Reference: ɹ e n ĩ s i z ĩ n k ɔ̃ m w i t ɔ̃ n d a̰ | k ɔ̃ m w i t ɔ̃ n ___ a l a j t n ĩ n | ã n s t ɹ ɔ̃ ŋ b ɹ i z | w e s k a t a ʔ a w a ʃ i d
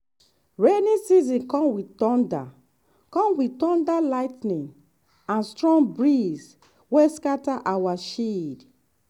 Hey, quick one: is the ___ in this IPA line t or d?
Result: d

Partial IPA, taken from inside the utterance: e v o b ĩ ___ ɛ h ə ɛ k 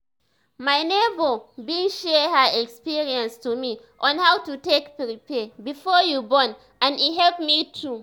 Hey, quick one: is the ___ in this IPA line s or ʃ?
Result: ʃ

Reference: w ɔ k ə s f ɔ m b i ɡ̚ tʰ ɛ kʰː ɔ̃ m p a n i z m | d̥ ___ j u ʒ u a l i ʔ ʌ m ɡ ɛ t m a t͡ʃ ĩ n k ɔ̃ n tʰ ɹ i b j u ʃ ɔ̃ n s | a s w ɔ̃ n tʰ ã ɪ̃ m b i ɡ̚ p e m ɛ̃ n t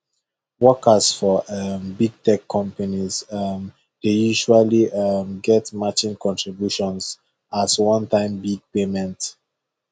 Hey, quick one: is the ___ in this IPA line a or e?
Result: e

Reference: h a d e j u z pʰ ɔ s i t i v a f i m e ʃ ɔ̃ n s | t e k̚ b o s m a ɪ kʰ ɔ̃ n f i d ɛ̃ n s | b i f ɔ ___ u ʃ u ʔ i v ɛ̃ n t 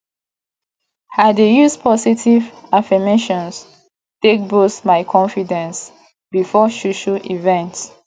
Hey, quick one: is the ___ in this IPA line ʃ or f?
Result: ʃ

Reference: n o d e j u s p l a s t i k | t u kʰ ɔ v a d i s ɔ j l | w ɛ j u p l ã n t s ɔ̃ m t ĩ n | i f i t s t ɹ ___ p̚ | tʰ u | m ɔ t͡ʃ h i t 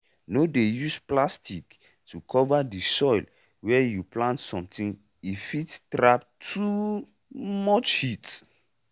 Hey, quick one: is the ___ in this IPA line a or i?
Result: a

